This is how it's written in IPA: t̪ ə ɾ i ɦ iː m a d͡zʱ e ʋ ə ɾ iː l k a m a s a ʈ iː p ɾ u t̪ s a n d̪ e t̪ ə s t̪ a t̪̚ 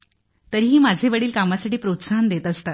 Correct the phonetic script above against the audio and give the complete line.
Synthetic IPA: t̪ ə ɾ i ɦ iː m a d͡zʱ e ʋ ə ɽ iː l k a m a s a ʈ iː p ɾ o t̪ s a n d̪ e t̪ ə s t̪ a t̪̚